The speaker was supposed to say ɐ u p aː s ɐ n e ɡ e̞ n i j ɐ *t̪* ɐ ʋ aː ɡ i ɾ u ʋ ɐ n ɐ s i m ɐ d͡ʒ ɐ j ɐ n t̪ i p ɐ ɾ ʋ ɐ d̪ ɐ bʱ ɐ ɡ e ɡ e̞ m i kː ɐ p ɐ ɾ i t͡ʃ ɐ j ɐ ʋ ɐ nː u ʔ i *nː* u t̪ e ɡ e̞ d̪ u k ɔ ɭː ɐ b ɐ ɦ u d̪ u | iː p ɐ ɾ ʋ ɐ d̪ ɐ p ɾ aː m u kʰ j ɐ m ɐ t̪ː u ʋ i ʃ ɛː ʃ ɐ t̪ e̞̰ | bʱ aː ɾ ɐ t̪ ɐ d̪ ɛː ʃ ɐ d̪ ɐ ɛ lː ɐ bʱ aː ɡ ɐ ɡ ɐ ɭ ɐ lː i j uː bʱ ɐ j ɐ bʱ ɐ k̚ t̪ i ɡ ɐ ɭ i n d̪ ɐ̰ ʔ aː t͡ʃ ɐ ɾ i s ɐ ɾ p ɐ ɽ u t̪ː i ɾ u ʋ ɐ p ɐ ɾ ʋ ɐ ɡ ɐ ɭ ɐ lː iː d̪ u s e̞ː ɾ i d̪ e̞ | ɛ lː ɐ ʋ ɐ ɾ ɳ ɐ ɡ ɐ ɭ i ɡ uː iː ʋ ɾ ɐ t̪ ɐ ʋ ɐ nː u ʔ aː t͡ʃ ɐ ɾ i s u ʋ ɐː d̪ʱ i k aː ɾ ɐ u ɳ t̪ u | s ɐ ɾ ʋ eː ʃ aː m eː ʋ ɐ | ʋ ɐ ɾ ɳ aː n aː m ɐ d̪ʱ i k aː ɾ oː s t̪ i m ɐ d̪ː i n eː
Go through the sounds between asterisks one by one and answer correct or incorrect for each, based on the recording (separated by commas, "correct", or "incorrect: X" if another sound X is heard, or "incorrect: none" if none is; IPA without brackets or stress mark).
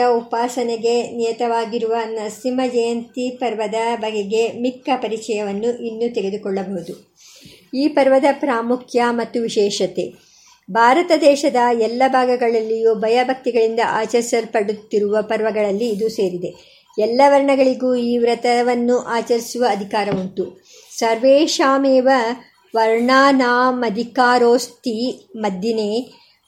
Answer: correct, correct